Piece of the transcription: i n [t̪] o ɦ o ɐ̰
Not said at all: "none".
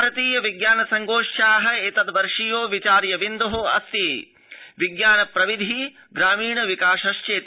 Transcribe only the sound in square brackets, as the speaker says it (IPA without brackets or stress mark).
d̪